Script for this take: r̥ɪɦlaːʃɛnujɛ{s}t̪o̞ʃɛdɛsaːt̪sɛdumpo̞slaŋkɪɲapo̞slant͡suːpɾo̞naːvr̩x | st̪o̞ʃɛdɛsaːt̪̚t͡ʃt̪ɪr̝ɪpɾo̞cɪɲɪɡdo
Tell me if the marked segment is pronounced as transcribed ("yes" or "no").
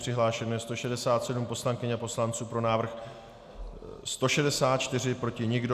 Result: yes